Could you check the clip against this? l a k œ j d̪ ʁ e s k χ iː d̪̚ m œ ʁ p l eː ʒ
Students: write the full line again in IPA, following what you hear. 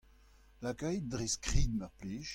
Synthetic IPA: l a k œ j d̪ ʁ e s k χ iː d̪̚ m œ ʁ p l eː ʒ